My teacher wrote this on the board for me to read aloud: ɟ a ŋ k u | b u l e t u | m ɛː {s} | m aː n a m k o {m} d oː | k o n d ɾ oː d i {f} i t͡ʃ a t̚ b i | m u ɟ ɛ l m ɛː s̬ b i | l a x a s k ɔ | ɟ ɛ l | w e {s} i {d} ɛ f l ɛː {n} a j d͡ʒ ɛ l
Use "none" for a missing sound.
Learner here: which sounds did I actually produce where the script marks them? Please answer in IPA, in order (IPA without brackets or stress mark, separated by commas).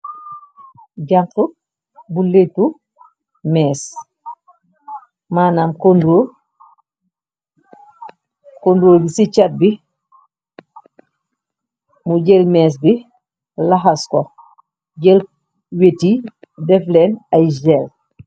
s, n, s, t, d, n